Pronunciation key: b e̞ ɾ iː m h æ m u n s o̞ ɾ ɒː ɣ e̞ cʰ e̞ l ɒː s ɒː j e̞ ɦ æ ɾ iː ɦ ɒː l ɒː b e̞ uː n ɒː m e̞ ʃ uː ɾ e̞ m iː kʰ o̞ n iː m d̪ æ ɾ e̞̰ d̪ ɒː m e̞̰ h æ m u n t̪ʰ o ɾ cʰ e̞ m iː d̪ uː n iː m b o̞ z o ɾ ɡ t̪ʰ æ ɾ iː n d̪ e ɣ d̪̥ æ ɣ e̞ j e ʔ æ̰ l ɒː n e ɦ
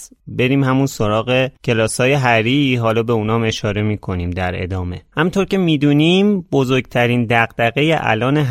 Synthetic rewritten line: b e̞ ɾ iː m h æ m u n s o̞ ɾ ɒː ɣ e̞ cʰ e̞ l ɒː s ɒː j e̞ ɦ æ ɾ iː ɦ ɒː l ɒː b e̞ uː n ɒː m e̞ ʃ ɒː ɾ e̞ m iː kʰ o̞ n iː m d̪ æ ɾ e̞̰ d̪ ɒː m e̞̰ h æ m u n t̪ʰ o ɾ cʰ e̞ m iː d̪ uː n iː m b o̞ z o ɾ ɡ t̪ʰ æ ɾ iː n d̪ æ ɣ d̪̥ æ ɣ e̞ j e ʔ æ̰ l ɒː n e ɦ